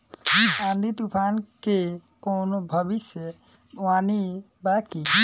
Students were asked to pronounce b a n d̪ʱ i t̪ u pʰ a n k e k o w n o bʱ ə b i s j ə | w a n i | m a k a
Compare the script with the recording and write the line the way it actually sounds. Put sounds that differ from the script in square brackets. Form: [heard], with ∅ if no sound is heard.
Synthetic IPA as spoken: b a n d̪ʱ i t̪ u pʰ a n k e k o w n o bʱ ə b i s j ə | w a n i | [b] a k [i]